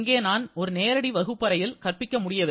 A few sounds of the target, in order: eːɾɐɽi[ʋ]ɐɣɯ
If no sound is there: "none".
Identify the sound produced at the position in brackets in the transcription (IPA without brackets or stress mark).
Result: ʋ